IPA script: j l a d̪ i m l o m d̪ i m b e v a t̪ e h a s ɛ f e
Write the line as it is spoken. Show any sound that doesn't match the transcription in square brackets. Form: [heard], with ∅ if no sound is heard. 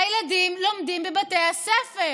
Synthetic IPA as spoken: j l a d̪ i m l o m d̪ i m b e [b] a t̪ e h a s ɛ f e